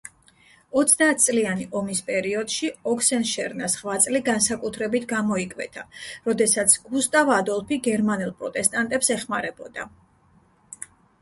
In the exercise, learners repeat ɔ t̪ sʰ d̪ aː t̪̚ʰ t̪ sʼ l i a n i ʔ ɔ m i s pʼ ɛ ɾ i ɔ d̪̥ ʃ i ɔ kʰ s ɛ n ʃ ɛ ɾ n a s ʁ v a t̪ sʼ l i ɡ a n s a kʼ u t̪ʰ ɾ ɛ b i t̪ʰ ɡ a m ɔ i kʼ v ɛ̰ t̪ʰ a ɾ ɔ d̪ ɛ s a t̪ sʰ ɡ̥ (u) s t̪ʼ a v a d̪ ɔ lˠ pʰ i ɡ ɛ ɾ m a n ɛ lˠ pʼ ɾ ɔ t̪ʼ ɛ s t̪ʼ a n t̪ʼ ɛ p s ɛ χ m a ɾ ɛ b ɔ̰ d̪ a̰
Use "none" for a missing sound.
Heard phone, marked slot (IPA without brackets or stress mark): u